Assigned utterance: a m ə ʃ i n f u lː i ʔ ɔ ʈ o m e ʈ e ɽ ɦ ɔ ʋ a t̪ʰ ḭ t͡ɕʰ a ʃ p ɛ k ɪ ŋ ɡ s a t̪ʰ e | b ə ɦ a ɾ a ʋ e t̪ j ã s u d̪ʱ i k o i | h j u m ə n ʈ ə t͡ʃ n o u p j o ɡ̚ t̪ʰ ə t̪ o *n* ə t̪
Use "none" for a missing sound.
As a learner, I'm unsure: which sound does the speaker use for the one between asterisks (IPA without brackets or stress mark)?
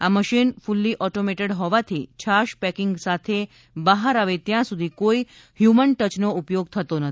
n